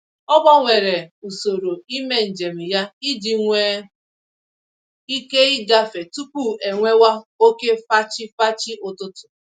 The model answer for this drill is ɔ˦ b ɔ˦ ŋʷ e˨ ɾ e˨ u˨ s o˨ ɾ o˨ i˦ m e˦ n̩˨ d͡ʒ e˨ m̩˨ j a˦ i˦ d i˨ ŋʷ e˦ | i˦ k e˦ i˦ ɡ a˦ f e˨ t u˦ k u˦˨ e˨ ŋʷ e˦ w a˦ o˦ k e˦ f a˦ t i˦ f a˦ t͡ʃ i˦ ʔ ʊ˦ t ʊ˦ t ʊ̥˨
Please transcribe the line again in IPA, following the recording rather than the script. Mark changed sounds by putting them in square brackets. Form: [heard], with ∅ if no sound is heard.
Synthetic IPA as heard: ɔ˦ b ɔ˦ ŋʷ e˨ ɾ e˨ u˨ s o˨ ɾ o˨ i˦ m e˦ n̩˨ d͡ʒ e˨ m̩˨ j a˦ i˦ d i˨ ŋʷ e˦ | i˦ k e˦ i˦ ɡ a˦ f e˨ t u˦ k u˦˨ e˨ ŋʷ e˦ w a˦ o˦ k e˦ f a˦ [t͡ʃ] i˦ f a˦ t͡ʃ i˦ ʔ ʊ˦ t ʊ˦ t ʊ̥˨